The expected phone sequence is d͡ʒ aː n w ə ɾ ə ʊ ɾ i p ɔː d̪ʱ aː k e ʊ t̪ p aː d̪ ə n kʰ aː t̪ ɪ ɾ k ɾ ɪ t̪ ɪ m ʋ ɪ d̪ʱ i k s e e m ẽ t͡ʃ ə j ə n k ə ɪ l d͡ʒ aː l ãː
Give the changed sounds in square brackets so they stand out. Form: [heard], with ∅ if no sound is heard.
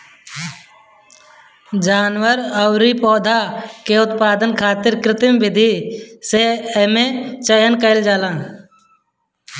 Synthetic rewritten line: d͡ʒ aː n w ə ɾ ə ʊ ɾ i p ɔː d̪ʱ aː k e ʊ t̪ p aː d̪ ə n kʰ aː t̪ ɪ ɾ k ɾ ɪ t̪ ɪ m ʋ ɪ d̪ʱ i [∅] s e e m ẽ t͡ʃ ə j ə n k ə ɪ l d͡ʒ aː l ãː